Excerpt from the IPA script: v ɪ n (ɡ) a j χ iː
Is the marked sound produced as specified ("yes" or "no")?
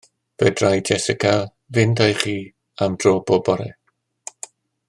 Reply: no